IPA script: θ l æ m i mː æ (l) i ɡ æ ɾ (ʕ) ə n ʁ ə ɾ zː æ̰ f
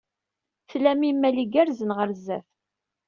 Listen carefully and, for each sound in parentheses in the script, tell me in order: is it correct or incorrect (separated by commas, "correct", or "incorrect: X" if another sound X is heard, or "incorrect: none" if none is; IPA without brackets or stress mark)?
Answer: correct, incorrect: z